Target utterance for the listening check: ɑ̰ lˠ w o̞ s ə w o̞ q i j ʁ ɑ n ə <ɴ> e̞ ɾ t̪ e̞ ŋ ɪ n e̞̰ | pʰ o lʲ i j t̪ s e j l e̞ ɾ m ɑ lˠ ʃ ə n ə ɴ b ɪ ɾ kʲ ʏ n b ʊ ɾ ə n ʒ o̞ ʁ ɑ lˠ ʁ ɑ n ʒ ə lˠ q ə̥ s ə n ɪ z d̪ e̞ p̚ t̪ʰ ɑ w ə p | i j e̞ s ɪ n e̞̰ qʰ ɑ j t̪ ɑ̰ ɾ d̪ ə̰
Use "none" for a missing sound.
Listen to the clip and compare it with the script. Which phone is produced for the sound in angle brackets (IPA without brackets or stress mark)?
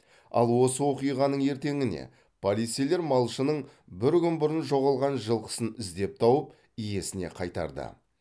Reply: ɴ